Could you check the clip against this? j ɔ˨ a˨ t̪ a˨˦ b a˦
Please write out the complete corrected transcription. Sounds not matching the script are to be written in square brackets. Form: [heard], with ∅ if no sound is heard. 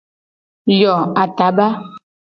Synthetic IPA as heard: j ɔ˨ a˨ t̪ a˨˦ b a˦